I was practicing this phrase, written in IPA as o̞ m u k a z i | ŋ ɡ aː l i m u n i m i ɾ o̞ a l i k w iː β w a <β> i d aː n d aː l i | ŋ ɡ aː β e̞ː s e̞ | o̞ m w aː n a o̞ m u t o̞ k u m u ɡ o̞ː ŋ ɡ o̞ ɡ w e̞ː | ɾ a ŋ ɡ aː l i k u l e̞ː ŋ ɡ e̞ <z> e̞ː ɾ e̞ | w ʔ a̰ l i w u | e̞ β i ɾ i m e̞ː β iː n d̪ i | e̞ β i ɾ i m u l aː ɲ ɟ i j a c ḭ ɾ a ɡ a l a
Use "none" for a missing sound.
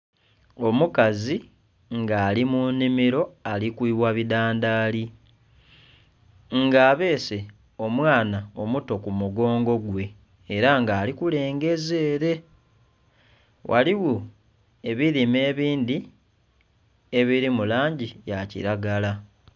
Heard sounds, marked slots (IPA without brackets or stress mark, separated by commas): β, z